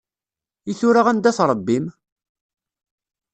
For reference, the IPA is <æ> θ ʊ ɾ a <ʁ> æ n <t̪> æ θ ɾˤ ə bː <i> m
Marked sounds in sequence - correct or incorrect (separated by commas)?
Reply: incorrect, correct, incorrect, correct